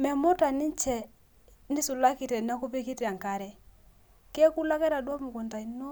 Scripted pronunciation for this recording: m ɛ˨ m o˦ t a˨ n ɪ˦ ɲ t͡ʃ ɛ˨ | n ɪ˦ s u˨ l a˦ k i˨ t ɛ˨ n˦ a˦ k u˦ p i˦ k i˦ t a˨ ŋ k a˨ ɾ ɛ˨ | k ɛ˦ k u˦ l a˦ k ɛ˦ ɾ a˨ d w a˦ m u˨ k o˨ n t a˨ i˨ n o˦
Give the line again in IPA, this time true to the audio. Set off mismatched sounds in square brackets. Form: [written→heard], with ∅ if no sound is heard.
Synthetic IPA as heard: m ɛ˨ m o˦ t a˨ n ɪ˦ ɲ t͡ʃ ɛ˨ | n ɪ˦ s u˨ l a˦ k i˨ t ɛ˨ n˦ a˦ k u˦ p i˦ k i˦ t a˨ ŋ k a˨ ɾ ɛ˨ | k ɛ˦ k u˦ l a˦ k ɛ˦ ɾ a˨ d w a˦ m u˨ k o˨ n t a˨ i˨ n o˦